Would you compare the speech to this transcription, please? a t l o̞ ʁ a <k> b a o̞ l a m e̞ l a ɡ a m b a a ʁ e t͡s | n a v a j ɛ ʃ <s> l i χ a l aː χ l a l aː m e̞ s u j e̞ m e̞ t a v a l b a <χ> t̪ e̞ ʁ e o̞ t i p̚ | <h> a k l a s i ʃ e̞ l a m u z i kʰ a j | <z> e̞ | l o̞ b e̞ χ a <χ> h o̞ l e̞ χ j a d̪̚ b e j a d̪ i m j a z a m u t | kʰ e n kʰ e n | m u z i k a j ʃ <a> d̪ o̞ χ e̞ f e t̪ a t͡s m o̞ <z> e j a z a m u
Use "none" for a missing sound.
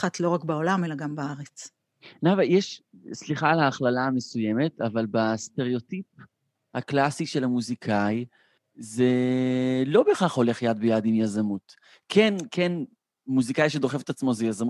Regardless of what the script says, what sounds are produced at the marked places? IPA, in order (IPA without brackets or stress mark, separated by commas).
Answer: k, s, s, h, z, χ, e, z